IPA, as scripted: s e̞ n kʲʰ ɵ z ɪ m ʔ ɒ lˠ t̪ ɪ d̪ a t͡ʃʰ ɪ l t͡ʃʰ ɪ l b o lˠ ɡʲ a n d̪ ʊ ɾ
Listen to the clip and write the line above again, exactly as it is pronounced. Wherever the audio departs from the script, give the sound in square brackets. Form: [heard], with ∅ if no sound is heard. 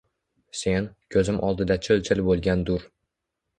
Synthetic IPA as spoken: s e̞ n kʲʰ ɵ z ɪ m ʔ ɒ lˠ [d̪] ɪ d̪ a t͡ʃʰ ɪ l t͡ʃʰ ɪ l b o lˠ ɡʲ a n d̪ ʊ ɾ